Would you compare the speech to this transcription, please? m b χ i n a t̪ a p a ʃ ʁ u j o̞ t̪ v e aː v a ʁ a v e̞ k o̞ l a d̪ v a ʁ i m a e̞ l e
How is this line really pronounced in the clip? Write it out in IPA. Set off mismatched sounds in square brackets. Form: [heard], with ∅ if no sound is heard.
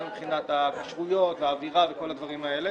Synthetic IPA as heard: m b χ i n a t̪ a [k] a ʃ ʁ u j o̞ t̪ v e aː v [i] ʁ a v e̞ k o̞ l a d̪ v a ʁ i m a e̞ l e